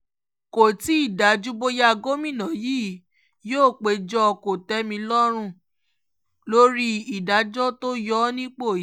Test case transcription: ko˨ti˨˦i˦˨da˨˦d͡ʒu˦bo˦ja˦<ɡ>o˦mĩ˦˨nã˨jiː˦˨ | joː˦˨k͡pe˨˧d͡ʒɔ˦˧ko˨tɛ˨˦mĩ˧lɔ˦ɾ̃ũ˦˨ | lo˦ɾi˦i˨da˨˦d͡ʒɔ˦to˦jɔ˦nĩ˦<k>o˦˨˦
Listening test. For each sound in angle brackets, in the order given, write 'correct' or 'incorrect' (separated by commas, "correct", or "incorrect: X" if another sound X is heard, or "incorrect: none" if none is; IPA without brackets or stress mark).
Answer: correct, incorrect: k͡p